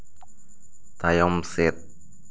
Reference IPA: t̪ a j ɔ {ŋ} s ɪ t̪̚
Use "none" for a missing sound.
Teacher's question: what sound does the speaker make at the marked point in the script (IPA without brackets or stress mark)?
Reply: m